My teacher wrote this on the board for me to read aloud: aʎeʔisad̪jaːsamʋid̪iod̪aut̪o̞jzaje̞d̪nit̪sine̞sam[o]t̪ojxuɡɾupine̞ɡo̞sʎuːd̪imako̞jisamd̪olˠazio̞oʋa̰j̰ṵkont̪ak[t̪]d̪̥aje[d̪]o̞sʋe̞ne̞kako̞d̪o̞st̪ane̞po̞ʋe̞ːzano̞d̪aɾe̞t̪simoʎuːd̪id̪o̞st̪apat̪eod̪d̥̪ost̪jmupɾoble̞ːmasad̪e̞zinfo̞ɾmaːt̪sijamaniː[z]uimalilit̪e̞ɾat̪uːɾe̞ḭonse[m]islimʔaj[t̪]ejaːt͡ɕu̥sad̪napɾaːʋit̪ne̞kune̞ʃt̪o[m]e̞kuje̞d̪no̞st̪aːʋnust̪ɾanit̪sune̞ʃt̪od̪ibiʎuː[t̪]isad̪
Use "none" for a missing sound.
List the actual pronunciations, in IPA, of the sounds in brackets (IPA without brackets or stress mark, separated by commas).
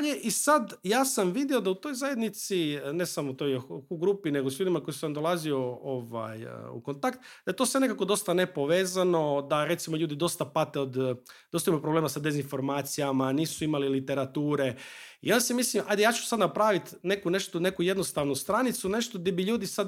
o, t̪, t̪, s, m, d̪, n, d̪